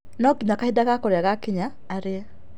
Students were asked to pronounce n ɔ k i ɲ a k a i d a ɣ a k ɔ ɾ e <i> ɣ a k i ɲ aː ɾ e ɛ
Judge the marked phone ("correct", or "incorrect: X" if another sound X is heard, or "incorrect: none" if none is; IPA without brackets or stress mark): incorrect: a